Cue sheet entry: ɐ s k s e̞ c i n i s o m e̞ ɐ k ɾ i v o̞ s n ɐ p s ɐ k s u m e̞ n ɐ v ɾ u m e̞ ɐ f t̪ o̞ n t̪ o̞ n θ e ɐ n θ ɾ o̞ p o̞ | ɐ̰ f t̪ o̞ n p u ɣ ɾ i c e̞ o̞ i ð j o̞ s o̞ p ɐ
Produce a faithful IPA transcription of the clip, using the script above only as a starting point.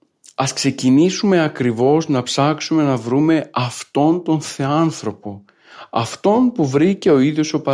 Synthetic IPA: ɐ s k s e̞ c i n i s u m e̞ ɐ k ɾ i v o̞ z n ɐ p s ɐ k s u m e̞ n ɐ v ɾ u m e̞ ɐ f t̪ o̞ n t̪ o̞ n θ e ɐ n θ ɾ o̞ p o̞ | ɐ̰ f t̪ o̞ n p u v ɾ i c e̞ o̞ i ð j o̞ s o̞ p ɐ